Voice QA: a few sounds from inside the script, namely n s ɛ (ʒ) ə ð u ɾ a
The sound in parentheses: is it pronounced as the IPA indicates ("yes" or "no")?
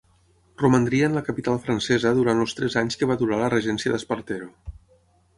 no